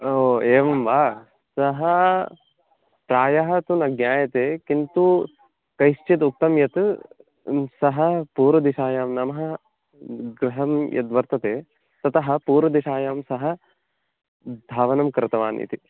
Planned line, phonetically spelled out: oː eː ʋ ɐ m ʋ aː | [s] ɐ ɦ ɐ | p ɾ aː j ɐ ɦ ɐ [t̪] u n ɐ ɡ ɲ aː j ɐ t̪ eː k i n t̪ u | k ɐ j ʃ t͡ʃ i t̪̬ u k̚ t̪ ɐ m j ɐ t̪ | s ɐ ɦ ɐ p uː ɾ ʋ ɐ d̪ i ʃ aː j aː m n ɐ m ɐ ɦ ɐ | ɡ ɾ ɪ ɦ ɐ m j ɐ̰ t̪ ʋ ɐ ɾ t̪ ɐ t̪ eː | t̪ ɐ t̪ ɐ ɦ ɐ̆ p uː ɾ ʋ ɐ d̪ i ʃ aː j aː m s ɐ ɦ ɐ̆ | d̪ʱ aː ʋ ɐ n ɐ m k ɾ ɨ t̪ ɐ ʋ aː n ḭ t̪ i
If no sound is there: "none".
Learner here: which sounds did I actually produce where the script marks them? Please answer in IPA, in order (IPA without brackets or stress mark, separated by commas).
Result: s, t̪